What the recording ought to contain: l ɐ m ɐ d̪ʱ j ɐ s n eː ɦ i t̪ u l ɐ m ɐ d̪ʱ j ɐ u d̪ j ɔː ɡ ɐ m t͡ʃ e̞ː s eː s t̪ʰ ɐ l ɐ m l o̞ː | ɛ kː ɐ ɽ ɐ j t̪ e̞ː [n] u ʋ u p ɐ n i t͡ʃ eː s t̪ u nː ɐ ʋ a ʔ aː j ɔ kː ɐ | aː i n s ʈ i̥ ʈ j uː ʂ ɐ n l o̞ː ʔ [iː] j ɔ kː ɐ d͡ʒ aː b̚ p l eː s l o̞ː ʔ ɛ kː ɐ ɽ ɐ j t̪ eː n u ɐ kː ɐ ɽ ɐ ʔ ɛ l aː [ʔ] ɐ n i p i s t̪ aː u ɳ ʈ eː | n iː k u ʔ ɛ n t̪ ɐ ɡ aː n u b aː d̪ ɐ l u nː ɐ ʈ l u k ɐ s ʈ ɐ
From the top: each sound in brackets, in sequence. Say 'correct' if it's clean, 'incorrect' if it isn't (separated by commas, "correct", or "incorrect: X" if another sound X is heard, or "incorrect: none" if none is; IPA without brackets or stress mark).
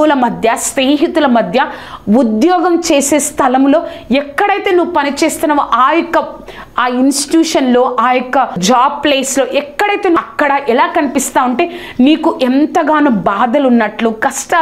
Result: correct, incorrect: aː, incorrect: k